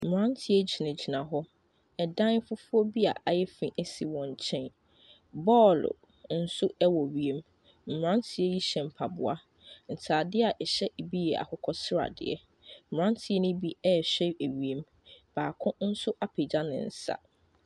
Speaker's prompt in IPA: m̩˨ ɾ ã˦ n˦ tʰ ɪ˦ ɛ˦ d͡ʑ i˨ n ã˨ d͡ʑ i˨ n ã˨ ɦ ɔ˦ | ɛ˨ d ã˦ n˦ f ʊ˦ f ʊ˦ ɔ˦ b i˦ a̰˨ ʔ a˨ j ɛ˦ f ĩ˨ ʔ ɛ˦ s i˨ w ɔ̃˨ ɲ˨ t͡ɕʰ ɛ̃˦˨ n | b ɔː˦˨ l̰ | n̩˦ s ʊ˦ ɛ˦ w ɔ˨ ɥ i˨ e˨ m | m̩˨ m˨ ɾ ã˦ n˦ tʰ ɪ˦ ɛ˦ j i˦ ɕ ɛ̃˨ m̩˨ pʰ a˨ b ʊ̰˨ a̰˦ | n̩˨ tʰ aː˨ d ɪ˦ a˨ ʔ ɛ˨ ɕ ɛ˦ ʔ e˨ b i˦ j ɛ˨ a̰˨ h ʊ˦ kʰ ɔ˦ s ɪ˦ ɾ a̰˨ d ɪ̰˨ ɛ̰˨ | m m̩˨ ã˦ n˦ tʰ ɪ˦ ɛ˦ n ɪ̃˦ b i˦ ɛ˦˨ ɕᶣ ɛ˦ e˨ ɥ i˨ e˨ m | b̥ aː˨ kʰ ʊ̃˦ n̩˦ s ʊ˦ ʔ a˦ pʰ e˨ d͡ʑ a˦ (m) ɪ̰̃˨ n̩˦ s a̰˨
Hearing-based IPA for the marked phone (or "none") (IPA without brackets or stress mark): n